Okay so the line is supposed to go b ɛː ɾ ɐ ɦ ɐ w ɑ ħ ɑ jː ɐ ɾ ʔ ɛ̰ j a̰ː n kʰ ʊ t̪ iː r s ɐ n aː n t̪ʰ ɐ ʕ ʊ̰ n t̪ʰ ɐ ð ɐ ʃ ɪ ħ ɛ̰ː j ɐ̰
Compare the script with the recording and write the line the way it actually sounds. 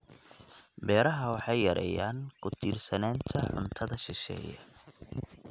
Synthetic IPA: b ɛː ɾ ɐ ɦ ɐ w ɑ ħ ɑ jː ɐ ɾ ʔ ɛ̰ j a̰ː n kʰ ʊ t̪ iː r s ɐ n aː n t̪ʰ ɐ ʕ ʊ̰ n t̪ʰ ɐ ð ɐ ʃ ɪ ʃ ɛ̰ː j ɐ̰